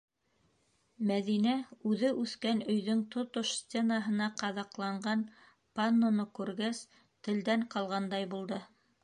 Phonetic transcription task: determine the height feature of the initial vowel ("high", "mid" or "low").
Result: low